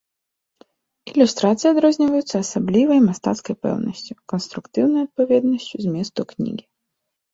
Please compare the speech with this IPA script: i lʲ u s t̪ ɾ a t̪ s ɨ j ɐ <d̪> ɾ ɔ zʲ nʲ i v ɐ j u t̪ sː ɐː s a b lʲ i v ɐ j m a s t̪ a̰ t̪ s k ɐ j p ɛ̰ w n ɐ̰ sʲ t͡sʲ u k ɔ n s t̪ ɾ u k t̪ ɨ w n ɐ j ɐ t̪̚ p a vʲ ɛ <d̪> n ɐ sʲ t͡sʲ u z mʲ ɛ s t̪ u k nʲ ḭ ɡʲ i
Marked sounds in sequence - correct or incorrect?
correct, correct

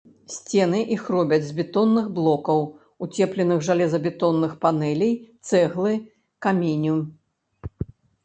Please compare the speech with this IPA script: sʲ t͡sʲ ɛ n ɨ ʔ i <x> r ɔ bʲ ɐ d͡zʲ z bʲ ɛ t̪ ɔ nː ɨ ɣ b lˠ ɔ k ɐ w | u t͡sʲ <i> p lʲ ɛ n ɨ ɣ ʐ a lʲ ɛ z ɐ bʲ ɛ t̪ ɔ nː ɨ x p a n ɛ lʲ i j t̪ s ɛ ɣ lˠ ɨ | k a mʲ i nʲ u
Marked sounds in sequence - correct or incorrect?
correct, incorrect: ɛ

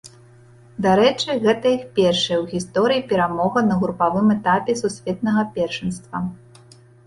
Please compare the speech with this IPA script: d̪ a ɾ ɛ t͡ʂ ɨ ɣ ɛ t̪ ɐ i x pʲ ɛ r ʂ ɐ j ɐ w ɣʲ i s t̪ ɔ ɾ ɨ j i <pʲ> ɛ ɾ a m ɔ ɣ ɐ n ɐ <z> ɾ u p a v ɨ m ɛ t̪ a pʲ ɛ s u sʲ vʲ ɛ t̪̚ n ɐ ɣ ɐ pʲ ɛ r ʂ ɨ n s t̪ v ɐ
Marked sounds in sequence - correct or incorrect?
correct, incorrect: ɣ

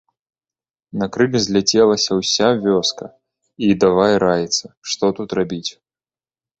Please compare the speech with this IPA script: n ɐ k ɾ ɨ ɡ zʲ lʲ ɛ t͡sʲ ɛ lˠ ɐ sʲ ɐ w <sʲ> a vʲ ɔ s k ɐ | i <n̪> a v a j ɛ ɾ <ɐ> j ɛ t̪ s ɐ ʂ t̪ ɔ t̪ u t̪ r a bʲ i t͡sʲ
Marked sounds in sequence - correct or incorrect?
correct, incorrect: d̪, incorrect: a

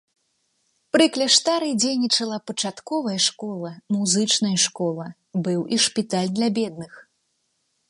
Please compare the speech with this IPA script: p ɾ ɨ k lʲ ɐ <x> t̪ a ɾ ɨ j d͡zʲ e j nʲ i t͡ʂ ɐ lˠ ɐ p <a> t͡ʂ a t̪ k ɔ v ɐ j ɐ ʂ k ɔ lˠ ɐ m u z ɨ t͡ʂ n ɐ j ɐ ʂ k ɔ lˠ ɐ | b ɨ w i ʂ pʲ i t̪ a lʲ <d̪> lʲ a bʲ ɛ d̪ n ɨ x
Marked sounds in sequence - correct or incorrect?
incorrect: ʂ, incorrect: ɐ, correct

